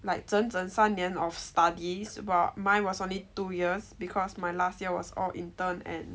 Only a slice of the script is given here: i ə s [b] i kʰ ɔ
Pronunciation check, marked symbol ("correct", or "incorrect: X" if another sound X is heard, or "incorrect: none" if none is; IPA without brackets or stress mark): correct